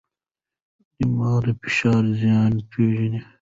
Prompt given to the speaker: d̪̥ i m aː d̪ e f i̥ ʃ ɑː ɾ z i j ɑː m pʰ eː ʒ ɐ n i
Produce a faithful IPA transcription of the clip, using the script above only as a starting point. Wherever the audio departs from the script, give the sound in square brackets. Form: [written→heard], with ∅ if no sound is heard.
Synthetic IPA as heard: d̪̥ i m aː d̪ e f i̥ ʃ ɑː ɾ z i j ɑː [m→n] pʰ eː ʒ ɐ n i